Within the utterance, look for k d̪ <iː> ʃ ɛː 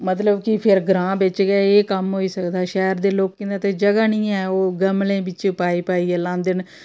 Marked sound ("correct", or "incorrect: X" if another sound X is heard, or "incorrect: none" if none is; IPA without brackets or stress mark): incorrect: aː